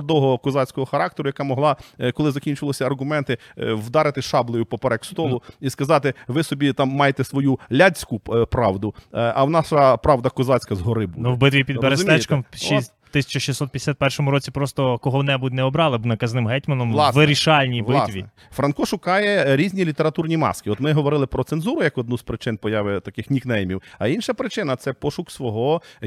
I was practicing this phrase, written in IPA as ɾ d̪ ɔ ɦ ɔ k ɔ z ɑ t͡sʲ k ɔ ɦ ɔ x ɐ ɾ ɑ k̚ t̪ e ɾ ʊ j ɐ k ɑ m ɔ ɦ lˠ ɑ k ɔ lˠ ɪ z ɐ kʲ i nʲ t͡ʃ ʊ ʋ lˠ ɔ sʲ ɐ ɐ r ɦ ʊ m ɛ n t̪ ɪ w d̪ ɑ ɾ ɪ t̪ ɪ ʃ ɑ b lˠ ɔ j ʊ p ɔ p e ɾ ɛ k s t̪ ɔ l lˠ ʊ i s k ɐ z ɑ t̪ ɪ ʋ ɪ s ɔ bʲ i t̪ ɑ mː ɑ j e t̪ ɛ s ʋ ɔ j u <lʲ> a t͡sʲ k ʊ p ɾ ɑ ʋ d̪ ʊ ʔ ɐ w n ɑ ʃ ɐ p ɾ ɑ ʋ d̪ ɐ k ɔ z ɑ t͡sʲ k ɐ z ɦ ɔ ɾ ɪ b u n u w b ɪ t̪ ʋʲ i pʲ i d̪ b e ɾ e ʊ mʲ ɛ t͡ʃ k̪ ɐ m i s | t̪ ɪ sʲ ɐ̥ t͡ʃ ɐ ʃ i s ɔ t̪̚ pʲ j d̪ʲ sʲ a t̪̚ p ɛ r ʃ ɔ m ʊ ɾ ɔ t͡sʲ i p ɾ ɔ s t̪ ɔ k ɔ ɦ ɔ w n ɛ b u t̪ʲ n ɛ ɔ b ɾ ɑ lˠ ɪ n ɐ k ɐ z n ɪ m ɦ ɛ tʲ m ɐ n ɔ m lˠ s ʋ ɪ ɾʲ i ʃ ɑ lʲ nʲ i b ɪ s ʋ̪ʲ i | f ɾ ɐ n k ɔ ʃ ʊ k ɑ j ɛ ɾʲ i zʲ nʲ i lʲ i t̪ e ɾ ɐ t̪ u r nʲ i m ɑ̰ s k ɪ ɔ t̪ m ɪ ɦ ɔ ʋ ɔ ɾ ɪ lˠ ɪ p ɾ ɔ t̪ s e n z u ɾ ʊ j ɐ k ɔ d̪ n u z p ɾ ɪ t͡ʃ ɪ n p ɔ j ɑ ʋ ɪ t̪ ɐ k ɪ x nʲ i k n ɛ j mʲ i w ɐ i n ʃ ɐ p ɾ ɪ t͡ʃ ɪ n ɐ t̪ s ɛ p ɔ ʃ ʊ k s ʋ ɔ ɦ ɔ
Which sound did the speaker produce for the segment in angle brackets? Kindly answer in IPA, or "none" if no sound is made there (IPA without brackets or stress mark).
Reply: lʲ